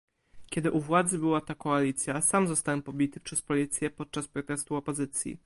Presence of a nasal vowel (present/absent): absent